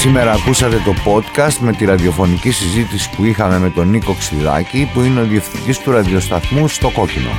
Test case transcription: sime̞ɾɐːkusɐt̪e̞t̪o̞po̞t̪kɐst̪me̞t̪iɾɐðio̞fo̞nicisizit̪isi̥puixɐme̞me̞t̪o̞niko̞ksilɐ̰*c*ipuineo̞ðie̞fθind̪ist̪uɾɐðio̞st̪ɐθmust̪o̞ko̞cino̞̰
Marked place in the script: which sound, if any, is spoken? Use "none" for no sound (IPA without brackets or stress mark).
c